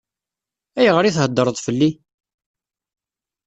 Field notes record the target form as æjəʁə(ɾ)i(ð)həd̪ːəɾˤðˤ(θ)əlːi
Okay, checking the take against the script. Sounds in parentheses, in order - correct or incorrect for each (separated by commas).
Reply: correct, incorrect, incorrect